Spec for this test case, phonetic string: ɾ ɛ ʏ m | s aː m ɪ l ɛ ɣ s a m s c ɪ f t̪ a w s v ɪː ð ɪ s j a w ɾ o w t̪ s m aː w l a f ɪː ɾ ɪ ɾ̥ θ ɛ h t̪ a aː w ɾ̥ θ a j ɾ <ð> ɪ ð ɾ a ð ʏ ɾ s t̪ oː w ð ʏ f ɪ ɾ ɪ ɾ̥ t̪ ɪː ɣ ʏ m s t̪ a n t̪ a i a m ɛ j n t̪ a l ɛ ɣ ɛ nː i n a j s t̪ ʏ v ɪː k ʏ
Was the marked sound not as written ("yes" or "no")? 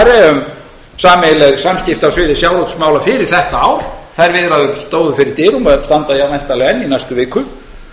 yes